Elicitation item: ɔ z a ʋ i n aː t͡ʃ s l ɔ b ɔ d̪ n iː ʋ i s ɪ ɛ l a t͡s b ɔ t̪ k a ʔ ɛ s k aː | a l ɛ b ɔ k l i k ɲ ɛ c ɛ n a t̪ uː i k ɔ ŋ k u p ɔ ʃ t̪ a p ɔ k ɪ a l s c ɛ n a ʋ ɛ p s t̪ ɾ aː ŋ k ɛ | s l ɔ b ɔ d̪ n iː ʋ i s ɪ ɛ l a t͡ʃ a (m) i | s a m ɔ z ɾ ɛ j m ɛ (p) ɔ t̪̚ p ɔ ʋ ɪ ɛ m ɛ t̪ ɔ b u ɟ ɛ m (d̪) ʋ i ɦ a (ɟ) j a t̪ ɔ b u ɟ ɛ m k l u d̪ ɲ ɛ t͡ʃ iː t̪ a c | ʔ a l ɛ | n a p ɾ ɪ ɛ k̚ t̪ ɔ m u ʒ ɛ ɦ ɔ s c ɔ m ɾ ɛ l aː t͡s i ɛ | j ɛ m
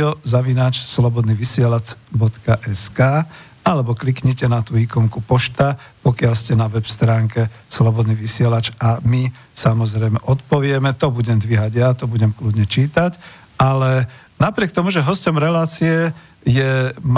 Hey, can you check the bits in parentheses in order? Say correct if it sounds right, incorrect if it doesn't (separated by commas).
correct, incorrect, correct, correct